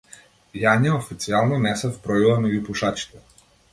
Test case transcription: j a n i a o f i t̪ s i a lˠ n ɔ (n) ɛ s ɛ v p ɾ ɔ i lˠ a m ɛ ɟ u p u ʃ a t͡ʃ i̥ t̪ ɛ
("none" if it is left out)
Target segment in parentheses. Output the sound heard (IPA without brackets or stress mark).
n